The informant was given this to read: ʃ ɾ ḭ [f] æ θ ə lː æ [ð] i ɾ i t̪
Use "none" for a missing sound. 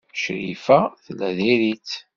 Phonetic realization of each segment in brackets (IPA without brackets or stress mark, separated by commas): f, ð